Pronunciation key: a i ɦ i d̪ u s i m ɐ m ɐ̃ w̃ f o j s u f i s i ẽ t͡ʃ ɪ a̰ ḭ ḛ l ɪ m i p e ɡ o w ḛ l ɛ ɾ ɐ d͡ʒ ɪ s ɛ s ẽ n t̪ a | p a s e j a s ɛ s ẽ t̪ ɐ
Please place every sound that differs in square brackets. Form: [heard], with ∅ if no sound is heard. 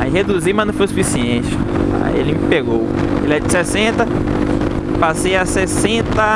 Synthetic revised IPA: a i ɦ [e] d̪ u [z] i m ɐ [n] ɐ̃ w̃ f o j s u f i s i ẽ t͡ʃ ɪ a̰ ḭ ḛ l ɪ m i p e ɡ o w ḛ l ɛ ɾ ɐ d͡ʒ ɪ s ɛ s ẽ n t̪ [ɐ] | p a s e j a s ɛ s ẽ t̪ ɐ